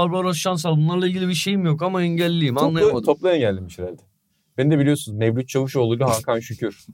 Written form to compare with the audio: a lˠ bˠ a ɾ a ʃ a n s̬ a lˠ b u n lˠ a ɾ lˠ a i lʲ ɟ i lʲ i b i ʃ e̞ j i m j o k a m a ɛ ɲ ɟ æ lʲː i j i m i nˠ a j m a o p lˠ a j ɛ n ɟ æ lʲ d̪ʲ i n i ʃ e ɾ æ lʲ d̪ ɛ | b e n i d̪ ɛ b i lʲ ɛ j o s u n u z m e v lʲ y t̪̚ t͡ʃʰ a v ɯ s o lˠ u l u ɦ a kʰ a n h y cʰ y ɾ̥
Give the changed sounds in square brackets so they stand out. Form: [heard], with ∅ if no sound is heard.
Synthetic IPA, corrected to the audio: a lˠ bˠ a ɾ a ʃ a n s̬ a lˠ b u n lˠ a ɾ lˠ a i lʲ ɟ i lʲ i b i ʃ e̞ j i m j o k a m a ɛ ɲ ɟ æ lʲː i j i m [a] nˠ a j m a o p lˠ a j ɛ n ɟ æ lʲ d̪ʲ i [m] i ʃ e ɾ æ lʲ d̪ ɛ | b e n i d̪ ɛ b i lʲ [i] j o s u n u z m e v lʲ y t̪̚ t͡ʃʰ a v ɯ [ʃ] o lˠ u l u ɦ a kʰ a n [ʃ] y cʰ y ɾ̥